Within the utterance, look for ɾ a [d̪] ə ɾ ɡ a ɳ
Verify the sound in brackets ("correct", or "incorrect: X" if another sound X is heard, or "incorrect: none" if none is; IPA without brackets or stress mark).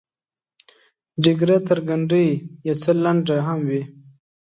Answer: incorrect: t̪